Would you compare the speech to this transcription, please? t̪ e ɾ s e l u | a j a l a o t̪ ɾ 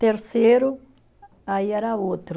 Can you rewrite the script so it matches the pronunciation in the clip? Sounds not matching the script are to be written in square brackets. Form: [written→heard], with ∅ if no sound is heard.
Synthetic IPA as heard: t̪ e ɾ s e [l→ɾ] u | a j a [l→ɾ] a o t̪ ɾ

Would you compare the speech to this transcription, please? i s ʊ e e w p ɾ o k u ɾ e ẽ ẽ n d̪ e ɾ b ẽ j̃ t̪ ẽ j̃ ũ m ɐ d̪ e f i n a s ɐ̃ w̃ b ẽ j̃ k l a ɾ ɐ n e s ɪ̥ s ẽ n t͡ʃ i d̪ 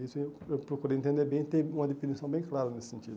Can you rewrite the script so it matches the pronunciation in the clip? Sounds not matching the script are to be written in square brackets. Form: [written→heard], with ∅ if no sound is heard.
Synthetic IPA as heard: i s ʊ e e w p ɾ o k u ɾ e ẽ ẽ n d̪ e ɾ b ẽ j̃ t̪ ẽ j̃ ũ m ɐ d̪ e f i n [a→i] s ɐ̃ w̃ b ẽ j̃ k l a ɾ ɐ n e s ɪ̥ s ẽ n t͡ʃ i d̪

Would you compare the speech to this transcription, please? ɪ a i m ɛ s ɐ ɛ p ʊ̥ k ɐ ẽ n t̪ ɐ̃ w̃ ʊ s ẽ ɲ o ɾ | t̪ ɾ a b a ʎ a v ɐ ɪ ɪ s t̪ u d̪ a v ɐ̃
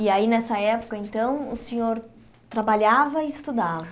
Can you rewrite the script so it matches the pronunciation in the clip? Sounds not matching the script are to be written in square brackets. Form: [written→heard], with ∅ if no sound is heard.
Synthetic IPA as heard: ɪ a i [m→n] ɛ s ɐ ɛ p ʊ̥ k ɐ ẽ n t̪ ɐ̃ w̃ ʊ s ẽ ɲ o ɾ | t̪ ɾ a b a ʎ a v ɐ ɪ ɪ s t̪ u d̪ a v [ɐ̃→ɐ]

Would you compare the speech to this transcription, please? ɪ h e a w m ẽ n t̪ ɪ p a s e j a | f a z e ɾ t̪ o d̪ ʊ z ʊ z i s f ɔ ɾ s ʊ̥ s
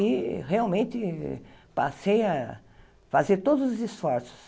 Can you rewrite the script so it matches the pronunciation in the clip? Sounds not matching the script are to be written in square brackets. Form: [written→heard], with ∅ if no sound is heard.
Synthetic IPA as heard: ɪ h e a w m ẽ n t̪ ɪ p a s e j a | f a z e ɾ t̪ o d̪ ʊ z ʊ z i s f ɔ ɾ s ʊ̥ s

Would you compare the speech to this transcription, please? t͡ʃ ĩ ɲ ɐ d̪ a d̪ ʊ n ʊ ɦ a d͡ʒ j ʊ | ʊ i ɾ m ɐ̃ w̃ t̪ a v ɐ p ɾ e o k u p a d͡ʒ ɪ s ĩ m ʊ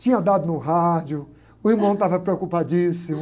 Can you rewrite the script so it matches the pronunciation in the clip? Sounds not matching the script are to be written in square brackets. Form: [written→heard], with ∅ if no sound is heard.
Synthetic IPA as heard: t͡ʃ ĩ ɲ ɐ d̪ a d̪ ʊ n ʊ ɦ a d͡ʒ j ʊ | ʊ i ɾ m ɐ̃ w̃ t̪ a v ɐ p ɾ e o k u p a d͡ʒ [ɪ→i] s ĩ m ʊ

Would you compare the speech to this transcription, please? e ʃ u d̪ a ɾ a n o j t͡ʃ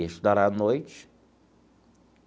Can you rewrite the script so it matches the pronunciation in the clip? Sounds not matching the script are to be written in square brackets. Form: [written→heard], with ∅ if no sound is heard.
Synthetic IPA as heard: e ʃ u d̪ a ɾ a n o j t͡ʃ

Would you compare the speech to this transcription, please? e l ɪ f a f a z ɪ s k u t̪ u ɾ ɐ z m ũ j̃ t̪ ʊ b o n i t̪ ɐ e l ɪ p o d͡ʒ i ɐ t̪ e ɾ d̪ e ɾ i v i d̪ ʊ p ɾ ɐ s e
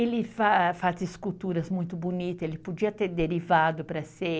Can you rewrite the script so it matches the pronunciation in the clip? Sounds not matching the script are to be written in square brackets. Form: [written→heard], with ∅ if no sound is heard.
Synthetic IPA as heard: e l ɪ f a f a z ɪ s k u t̪ u ɾ ɐ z m ũ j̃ t̪ ʊ b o n i t̪ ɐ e l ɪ p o d͡ʒ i ɐ t̪ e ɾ d̪ e ɾ i v [i→a] d̪ ʊ p ɾ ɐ s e

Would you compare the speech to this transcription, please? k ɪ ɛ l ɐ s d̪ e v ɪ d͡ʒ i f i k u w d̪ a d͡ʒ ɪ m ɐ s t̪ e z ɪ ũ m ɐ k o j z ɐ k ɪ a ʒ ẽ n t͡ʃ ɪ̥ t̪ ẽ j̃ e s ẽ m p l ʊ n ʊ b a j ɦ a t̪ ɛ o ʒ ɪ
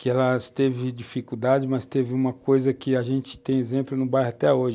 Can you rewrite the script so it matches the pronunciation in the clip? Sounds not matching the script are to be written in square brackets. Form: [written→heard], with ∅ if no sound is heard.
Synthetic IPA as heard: k ɪ ɛ l ɐ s [d̪→t̪] e v ɪ d͡ʒ i f i k u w d̪ a d͡ʒ ɪ m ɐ s t̪ e [z→v] ɪ ũ m ɐ k o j z ɐ k ɪ a ʒ ẽ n t͡ʃ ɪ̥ t̪ ẽ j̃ e [s→z] ẽ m p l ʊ n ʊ b a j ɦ a t̪ ɛ o ʒ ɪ

